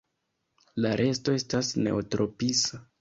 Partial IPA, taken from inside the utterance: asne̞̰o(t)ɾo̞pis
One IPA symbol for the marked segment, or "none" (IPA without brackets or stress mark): t